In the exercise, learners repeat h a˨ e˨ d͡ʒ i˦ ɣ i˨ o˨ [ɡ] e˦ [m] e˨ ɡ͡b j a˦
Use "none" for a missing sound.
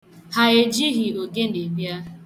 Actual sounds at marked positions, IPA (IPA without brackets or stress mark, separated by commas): ɡ, n